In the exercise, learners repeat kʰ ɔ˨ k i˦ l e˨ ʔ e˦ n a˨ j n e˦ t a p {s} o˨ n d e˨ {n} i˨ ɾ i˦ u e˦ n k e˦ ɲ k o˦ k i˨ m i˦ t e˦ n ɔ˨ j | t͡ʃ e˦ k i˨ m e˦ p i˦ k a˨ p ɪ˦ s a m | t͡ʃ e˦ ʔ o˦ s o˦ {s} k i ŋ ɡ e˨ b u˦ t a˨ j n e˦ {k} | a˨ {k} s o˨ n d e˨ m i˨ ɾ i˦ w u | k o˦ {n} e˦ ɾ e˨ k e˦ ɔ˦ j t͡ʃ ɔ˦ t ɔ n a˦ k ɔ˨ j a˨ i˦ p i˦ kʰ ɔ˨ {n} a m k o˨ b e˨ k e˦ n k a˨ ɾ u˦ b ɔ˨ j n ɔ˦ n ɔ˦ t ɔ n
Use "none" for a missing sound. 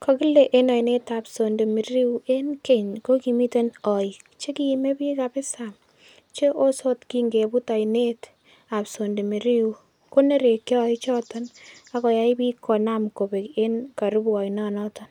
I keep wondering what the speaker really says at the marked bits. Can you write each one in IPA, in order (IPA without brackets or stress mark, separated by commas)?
s, m, t, t, p, n, n